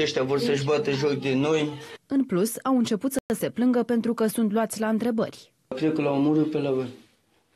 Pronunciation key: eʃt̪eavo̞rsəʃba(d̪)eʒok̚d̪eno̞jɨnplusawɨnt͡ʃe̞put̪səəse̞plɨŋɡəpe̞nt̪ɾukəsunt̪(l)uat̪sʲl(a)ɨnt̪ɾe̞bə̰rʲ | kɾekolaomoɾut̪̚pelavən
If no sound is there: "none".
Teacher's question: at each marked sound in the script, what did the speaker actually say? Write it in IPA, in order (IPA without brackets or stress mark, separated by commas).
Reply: t̪, l, a